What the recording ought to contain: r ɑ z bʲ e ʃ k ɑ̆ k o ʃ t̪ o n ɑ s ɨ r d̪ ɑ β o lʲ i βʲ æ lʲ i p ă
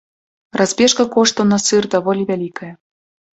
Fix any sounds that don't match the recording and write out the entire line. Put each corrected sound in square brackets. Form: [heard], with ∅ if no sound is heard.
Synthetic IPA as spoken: r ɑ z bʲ e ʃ k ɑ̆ k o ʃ t̪ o n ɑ s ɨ r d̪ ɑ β o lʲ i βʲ æ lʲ i [k] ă